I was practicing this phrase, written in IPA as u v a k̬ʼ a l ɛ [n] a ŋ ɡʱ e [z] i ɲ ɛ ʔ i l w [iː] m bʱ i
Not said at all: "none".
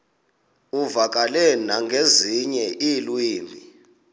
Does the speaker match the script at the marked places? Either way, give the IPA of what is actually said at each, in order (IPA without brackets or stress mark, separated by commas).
n, z, iː